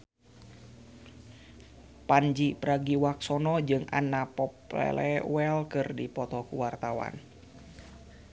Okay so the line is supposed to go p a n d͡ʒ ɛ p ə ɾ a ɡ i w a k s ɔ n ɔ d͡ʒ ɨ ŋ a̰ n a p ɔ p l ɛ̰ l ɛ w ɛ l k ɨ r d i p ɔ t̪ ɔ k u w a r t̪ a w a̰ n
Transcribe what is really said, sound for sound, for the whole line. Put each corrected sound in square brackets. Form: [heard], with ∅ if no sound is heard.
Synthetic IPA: p a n d͡ʒ [i] p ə ɾ a ɡ i w a k s ɔ n ɔ d͡ʒ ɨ ŋ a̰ n a p ɔ p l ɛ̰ l ɛ w ɛ l k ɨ r d i p ɔ t̪ ɔ k u w a r t̪ a w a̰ n